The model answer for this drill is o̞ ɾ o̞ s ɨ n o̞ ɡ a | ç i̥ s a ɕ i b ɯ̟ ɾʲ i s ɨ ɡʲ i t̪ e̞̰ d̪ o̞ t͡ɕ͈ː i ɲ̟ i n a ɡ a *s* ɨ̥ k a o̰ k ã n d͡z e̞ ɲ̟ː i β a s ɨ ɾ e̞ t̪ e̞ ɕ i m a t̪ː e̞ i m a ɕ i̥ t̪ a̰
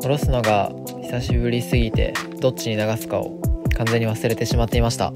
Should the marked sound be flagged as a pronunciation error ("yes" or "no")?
no